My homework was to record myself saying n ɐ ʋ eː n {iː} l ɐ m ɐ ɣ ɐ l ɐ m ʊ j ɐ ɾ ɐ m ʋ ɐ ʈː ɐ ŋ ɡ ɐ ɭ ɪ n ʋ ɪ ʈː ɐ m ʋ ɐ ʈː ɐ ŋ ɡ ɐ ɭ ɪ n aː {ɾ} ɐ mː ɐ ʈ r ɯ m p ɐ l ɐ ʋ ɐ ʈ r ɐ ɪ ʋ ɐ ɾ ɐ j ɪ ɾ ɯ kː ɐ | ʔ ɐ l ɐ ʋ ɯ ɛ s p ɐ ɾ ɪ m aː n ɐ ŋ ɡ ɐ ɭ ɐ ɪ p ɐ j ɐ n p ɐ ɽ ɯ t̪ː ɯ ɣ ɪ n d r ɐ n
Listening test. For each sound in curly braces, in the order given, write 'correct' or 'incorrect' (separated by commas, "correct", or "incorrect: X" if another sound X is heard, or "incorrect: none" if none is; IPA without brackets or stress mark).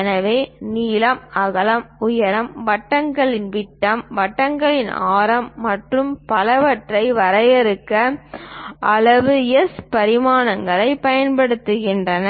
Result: correct, correct